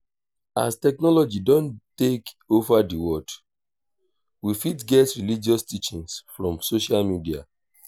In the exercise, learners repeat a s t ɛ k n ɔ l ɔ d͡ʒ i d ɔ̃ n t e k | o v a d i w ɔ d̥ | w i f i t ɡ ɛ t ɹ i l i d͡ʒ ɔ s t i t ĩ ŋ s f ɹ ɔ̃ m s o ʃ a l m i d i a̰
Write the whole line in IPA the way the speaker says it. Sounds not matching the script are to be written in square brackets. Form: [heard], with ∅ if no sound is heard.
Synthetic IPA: a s t ɛ k n ɔ l ɔ d͡ʒ i d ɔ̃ n t e k | o v a d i w ɔ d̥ | w i f i t ɡ ɛ t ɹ i l i d͡ʒ ɔ s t i [t͡ʃ] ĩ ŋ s f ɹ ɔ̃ m s o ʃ a l m i d i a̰